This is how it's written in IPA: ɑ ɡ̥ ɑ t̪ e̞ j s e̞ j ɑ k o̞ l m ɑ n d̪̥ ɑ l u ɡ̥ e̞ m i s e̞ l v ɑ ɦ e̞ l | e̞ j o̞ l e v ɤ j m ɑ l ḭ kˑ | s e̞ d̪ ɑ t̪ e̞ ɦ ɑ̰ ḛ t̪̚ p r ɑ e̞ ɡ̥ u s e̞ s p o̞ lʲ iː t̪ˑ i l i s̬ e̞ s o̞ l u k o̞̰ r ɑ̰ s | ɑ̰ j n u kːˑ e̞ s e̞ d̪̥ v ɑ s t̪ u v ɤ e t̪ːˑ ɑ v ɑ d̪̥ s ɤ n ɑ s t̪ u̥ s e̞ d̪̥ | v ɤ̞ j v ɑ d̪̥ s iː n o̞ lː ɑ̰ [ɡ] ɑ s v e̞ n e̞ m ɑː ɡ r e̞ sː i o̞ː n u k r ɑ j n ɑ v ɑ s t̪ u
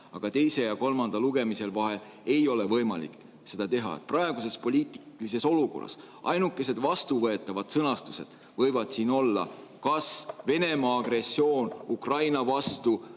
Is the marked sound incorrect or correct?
incorrect